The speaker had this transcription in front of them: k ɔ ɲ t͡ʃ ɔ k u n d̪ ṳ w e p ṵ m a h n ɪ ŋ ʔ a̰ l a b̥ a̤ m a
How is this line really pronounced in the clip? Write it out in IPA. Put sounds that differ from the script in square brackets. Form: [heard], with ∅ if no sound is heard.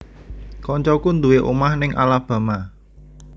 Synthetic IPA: k ɔ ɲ t͡ʃ ɔ k u n d̪ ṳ w e [ʔ] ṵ m a h n ɪ ŋ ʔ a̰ l a b̥ a̤ m a